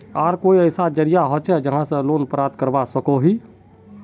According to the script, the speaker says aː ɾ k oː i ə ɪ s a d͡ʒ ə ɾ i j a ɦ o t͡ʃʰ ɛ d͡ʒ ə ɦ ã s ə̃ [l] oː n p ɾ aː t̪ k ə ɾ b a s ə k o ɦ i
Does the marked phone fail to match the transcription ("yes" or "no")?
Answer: no